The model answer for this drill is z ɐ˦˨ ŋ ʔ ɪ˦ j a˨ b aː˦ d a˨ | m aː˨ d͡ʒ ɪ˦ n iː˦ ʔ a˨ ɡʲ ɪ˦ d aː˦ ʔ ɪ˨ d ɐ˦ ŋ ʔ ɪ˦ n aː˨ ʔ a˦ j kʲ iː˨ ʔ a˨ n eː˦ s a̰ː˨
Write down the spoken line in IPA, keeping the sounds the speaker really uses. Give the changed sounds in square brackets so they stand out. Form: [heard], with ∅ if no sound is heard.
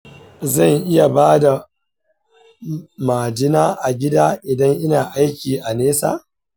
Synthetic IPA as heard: z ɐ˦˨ ŋ ʔ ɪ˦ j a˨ b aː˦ d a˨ | m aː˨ d͡ʒ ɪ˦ n [aː˦] ʔ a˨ ɡʲ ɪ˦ d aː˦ ʔ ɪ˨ d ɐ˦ ŋ ʔ ɪ˦ n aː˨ ʔ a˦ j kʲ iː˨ ʔ a˨ n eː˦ s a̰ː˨